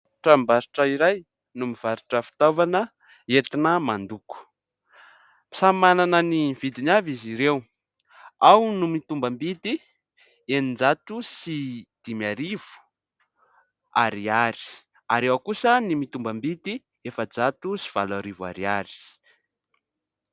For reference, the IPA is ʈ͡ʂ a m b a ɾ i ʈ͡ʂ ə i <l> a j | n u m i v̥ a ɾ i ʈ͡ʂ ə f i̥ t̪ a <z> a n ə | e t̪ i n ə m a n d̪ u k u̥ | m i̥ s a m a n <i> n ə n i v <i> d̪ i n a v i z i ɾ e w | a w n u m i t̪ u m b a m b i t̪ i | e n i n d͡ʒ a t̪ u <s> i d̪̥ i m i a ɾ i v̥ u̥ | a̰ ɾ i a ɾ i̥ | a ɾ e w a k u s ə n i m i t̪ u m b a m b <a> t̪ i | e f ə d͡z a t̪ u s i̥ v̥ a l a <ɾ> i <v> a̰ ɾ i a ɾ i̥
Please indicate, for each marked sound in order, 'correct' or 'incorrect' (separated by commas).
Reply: incorrect, incorrect, incorrect, correct, correct, incorrect, correct, correct